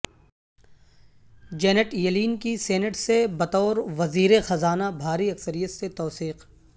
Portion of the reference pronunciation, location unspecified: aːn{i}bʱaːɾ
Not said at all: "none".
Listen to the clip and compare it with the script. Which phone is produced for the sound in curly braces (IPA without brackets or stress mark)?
a